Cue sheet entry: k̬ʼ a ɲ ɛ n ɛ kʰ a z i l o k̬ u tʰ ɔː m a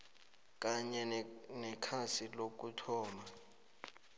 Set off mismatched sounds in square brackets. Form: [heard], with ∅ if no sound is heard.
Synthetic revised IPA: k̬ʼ a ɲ ɛ n ɛ kʰ a [s] i l o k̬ u tʰ ɔː m a